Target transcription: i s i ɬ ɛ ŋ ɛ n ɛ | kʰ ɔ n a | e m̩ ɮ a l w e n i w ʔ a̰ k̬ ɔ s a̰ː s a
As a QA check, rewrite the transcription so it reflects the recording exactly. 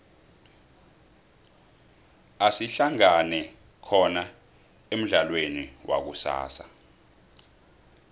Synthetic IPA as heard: a s i ɬ a ŋ a n ɛ | kʰ ɔ n a | e m̩ ɮ a l w e n i w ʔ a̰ k̬ u s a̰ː s a